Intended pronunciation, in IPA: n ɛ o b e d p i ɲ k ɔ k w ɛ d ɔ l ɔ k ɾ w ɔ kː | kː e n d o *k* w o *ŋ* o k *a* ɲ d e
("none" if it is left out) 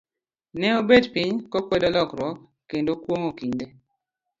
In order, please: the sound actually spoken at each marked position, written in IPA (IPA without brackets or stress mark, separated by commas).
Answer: k, ŋ, i